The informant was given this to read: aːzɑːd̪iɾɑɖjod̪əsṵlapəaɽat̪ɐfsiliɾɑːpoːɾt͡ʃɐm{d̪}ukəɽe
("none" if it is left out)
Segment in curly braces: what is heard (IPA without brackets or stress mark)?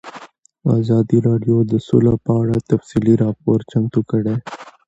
t̪